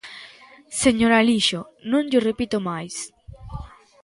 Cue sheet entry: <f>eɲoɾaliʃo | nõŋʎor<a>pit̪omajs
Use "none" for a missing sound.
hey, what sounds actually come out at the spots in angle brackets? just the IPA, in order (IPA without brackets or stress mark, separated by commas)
s, e